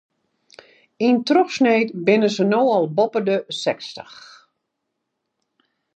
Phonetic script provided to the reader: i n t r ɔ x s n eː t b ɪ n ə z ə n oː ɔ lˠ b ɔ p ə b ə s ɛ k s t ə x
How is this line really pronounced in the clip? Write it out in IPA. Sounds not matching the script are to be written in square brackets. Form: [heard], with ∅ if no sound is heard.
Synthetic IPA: i n t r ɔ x s n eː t b ɪ n ə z ə n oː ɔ lˠ b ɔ p ə [d] ə s ɛ k s t ə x